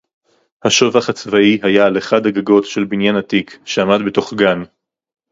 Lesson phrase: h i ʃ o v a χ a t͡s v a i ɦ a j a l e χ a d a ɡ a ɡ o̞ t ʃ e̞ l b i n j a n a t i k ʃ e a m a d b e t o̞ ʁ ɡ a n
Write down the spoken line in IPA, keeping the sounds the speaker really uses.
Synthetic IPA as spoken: h a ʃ o v a χ a t͡s v a i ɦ a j a l e χ a d a ɡ a ɡ o̞ t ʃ e̞ l b i n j a n a t i k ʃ e a m a d b e t o̞ χ ɡ a n